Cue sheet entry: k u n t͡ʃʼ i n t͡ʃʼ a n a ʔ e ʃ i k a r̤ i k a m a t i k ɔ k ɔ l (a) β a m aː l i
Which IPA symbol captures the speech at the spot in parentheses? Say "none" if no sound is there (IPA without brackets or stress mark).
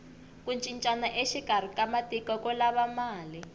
a